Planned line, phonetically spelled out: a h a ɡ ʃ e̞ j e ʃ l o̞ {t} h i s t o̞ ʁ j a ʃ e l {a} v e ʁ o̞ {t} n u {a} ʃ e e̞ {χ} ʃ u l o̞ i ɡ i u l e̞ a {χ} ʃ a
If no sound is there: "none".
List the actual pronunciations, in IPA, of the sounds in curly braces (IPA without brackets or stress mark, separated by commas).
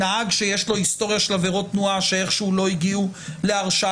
none, a, t, a, χ, ʁ